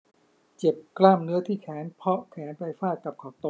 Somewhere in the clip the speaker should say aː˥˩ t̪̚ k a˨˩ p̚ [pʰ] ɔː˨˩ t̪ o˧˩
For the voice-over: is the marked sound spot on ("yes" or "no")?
no